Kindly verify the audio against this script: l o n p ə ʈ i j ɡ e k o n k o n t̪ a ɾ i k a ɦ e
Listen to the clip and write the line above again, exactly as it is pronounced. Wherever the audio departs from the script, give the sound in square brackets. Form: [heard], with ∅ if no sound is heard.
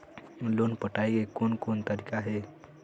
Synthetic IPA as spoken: l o n p ə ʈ [a] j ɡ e k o n k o n t̪ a ɾ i k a ɦ e